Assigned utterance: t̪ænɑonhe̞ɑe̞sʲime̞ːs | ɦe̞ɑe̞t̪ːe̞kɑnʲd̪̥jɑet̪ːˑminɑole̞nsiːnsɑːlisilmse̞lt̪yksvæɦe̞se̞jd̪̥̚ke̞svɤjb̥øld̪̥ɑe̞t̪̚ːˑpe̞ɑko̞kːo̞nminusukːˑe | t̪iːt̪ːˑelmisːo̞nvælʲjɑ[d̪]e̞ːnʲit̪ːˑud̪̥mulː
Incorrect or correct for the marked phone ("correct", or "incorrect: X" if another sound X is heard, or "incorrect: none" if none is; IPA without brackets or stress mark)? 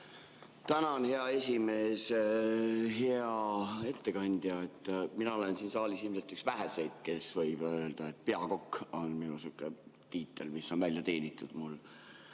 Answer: incorrect: t̪